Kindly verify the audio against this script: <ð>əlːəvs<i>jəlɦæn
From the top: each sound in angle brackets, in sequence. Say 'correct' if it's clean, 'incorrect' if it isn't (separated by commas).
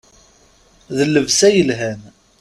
correct, incorrect